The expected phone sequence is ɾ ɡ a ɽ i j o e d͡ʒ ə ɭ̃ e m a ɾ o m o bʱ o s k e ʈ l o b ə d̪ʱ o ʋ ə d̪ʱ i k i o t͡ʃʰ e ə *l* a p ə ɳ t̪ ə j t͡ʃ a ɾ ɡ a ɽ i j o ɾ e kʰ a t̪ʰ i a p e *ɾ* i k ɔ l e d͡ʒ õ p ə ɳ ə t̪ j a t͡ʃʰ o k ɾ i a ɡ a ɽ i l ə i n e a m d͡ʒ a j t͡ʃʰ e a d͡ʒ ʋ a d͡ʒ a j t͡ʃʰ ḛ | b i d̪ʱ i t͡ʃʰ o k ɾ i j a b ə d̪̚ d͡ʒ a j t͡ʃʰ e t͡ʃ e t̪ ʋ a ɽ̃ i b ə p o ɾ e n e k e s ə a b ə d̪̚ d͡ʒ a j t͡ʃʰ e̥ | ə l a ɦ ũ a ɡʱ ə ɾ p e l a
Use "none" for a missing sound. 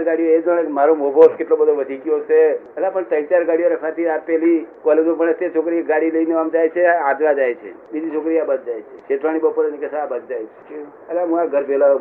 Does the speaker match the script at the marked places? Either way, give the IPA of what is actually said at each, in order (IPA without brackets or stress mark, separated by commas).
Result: l, l